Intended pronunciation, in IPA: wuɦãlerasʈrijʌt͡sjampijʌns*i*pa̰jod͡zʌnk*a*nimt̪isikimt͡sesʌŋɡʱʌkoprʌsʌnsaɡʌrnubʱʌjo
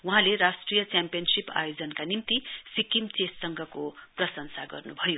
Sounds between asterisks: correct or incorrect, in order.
correct, correct

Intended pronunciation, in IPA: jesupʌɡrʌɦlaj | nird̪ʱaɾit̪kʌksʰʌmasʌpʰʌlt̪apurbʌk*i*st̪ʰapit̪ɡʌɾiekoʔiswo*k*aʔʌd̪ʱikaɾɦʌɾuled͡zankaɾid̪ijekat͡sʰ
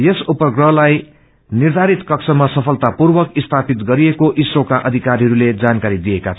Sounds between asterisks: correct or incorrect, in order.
correct, correct

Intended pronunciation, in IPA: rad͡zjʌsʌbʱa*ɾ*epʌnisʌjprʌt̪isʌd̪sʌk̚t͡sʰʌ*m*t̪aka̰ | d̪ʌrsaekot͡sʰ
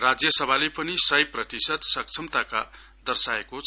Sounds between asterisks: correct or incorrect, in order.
incorrect: l, correct

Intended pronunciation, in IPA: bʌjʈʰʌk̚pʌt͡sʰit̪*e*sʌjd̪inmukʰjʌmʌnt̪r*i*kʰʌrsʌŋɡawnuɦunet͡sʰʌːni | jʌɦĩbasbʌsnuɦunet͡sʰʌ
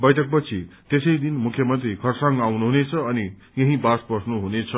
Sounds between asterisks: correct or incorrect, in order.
correct, correct

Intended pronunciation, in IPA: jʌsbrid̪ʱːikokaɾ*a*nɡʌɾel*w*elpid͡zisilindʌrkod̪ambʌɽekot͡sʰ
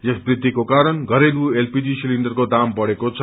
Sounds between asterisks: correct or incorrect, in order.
incorrect: ʌ, incorrect: u

